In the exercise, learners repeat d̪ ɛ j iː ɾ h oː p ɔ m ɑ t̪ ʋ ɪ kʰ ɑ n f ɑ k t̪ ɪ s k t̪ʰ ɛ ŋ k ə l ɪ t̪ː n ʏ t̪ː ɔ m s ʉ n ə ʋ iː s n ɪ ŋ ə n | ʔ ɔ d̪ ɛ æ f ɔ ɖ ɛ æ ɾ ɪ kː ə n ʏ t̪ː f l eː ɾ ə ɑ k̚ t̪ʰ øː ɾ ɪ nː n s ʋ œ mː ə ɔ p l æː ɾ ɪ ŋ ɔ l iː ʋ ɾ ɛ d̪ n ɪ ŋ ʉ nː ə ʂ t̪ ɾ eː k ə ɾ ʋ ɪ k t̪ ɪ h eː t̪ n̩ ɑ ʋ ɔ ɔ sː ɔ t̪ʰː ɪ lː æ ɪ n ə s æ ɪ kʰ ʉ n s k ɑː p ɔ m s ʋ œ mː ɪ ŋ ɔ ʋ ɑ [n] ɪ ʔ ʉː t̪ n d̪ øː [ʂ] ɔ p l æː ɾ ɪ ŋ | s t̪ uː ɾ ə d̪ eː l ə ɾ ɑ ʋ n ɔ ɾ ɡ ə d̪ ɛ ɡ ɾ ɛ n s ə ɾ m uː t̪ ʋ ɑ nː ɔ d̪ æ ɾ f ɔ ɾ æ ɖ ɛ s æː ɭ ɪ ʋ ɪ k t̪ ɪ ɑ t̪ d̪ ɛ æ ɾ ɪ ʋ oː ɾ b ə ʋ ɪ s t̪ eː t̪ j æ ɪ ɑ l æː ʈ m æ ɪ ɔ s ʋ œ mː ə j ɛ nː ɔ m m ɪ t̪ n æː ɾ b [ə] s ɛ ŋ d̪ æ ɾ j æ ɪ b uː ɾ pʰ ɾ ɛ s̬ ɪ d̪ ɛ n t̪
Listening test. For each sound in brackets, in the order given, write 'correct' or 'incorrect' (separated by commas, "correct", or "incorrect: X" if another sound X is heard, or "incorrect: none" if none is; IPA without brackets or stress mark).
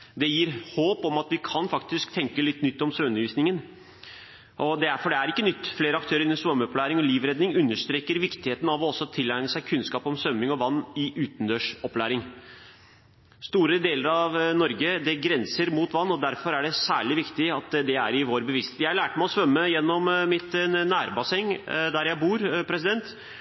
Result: incorrect: nː, correct, incorrect: ɑ